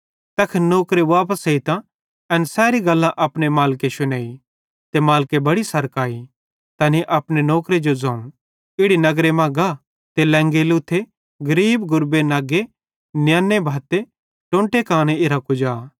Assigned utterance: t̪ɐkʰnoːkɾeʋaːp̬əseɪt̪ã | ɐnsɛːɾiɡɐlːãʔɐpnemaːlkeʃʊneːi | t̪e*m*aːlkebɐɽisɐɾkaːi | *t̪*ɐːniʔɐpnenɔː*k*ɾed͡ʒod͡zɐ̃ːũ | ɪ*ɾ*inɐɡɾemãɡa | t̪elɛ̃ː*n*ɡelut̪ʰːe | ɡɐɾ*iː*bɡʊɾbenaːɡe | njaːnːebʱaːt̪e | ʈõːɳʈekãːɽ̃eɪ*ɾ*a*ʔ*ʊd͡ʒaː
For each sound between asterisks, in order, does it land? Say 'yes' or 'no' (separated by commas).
yes, yes, yes, no, no, yes, yes, no